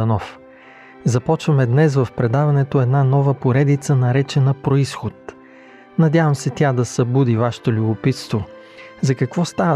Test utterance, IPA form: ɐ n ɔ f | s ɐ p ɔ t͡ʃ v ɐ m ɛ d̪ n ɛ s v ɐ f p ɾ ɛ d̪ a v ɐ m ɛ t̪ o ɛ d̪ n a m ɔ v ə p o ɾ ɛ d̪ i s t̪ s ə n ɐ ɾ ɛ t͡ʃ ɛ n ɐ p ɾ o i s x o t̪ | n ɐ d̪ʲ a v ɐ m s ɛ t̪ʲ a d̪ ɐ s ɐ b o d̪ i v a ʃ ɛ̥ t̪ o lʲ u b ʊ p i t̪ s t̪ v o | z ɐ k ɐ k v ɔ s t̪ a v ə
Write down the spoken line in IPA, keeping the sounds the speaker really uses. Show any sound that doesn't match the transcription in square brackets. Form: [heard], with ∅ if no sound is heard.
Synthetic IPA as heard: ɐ n ɔ f | [z] ɐ p ɔ t͡ʃ v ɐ m ɛ d̪ n ɛ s v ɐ f p ɾ ɛ d̪ a v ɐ [n] ɛ t̪ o ɛ d̪ n a [n] ɔ v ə p o ɾ ɛ d̪ i [∅] t̪ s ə n ɐ ɾ ɛ t͡ʃ ɛ n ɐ p ɾ o i s x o t̪ | n ɐ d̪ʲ a v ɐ m s ɛ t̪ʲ a d̪ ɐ s ɐ b [u] d̪ i v a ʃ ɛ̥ t̪ o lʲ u b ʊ p i t̪ s t̪ v o | z ɐ k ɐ k v ɔ s t̪ a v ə